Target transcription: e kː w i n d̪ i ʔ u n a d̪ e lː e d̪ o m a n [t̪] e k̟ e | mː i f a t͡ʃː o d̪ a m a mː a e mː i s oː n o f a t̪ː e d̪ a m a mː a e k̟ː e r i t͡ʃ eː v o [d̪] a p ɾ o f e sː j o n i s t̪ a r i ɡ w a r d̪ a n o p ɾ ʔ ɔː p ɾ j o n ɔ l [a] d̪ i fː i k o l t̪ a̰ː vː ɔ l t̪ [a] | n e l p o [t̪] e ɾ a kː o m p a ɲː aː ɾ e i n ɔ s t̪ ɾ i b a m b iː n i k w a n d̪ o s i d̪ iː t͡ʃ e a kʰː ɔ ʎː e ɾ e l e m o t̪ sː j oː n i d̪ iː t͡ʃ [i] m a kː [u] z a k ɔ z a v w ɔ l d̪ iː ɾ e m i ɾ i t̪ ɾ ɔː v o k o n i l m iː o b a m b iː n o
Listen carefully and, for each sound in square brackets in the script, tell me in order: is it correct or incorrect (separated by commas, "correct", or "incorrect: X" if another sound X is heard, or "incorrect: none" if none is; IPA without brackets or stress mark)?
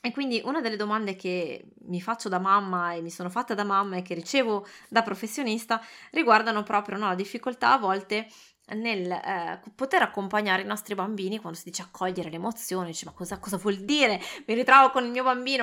incorrect: d̪, correct, correct, incorrect: e, correct, incorrect: e, incorrect: ɔ